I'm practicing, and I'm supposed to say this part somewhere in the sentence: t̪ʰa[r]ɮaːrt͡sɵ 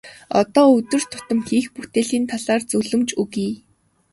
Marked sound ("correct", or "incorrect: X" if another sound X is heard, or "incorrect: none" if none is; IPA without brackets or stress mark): incorrect: none